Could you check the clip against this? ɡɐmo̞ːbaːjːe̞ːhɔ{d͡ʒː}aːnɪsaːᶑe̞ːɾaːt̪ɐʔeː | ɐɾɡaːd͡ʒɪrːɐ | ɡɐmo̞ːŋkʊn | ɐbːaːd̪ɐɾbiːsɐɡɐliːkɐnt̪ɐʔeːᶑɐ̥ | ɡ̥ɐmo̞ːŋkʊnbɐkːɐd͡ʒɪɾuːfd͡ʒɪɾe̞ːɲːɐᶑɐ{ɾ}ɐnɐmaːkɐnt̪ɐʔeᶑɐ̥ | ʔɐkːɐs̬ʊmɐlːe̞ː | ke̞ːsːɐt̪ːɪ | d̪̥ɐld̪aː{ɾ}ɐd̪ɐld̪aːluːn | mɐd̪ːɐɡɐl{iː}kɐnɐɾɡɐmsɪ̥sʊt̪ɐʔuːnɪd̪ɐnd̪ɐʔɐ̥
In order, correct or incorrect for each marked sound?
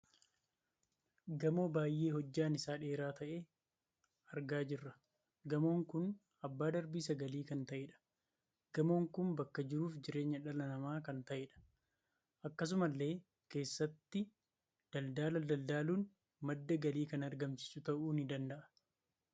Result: correct, incorrect, incorrect, correct

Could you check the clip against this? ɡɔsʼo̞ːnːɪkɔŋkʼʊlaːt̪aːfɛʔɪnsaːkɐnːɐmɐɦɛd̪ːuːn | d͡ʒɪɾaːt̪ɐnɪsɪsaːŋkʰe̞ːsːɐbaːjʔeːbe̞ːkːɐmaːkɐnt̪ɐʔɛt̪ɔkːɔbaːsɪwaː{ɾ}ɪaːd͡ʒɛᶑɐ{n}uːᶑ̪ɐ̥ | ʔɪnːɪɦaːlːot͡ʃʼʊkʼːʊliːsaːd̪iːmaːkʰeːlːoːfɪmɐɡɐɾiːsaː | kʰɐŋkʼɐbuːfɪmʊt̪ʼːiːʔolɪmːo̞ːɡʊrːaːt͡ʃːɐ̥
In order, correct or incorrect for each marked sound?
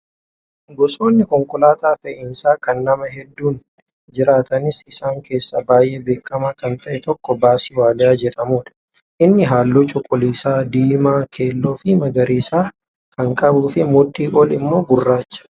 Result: incorrect, incorrect

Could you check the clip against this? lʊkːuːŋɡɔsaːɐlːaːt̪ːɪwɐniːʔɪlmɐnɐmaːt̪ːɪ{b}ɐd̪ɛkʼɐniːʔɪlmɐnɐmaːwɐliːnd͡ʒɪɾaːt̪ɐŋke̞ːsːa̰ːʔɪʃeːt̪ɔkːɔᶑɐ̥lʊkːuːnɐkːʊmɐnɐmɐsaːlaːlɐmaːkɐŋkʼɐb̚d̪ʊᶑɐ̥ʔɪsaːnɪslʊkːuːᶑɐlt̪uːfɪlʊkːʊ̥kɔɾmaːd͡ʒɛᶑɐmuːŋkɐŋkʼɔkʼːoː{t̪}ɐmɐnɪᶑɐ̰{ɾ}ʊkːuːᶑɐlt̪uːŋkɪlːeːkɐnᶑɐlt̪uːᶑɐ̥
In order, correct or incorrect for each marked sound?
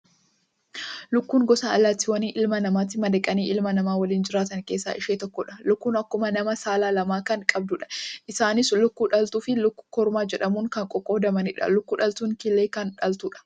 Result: incorrect, incorrect, incorrect

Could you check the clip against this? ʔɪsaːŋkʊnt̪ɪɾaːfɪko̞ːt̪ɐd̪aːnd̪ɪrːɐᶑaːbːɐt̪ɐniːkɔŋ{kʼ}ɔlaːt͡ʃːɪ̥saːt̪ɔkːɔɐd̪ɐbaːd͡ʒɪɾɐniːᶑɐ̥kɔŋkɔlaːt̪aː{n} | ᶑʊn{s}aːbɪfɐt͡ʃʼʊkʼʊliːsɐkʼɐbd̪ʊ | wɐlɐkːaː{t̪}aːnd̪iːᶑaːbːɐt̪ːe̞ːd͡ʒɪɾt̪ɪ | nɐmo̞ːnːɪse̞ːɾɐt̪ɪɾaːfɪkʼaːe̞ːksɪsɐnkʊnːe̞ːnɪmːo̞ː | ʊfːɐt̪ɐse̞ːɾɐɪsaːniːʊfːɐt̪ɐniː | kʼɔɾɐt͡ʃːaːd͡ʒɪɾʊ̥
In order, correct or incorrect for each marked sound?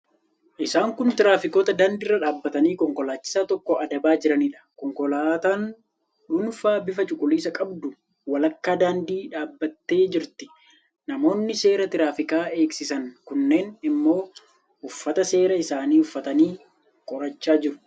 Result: incorrect, correct, incorrect, incorrect

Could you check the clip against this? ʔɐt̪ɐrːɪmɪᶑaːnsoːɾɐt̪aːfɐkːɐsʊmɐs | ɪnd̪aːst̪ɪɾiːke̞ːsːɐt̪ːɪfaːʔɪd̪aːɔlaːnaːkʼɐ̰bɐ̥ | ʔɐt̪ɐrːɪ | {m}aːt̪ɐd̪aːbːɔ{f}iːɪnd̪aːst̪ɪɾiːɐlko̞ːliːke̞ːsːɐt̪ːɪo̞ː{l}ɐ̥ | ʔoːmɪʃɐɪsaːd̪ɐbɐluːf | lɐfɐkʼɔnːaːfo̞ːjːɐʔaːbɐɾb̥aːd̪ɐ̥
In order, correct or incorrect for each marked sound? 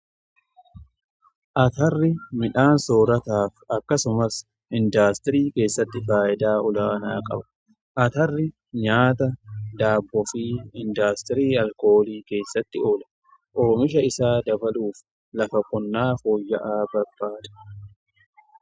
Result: incorrect, correct, correct

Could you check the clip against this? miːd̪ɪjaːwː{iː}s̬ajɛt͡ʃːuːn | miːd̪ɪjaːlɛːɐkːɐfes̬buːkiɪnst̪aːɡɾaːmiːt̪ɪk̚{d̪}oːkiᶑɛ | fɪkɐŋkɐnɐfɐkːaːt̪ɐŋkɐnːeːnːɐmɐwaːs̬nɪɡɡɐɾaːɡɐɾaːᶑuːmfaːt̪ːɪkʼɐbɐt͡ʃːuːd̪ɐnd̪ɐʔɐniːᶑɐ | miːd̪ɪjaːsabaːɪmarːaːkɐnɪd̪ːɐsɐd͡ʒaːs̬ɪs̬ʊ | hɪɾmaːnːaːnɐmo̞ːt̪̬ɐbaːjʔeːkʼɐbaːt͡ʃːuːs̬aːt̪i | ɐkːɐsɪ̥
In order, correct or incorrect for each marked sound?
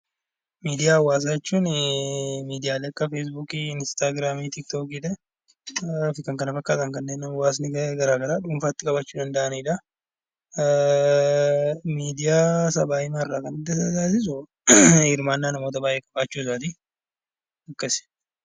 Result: incorrect, incorrect

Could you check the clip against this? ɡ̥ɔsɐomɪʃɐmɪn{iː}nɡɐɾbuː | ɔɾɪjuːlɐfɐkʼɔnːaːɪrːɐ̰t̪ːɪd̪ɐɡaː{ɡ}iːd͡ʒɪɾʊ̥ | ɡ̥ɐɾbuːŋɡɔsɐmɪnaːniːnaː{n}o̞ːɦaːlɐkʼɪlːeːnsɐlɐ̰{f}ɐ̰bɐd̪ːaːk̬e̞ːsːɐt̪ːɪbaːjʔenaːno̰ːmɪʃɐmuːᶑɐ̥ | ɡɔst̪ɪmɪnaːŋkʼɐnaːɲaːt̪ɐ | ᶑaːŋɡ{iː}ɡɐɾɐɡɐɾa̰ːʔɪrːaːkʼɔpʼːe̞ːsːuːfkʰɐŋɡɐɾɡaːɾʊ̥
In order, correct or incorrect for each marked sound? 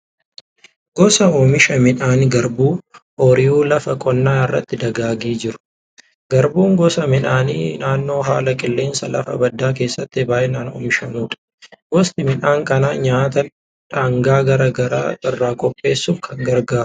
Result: incorrect, correct, incorrect, correct, incorrect

